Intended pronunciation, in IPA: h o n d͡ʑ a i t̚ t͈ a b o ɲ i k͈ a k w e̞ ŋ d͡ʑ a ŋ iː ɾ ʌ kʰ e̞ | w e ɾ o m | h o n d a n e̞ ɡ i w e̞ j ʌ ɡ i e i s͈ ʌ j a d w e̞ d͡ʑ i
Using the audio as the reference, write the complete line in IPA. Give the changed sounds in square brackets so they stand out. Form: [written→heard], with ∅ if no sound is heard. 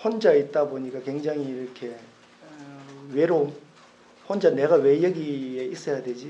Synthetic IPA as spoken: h o n d͡ʑ a i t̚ t͈ a b o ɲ i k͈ a k w e̞ ŋ d͡ʑ a ŋ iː ɾ ʌ kʰ e̞ | w e ɾ o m | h o n [d→d͡ʑ] a n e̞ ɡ [i→a] w e̞ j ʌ ɡ i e i s͈ ʌ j a d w e̞ d͡ʑ i